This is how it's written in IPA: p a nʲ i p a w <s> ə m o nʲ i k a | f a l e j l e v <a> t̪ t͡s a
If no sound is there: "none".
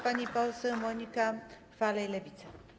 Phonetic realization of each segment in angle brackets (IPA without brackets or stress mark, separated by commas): s, i